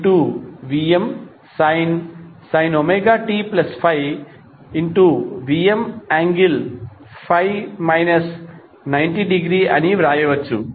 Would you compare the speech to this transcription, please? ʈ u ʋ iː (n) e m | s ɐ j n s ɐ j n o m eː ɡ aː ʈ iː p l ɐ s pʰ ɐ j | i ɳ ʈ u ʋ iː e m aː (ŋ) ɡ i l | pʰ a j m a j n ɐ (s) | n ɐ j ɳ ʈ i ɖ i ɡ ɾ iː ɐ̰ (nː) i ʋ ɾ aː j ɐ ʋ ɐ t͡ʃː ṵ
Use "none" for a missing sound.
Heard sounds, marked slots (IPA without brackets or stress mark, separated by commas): none, ŋ, s, n